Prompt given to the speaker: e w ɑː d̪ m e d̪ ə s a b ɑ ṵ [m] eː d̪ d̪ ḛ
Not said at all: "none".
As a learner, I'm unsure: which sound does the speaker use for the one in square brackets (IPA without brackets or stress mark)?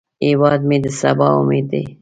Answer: m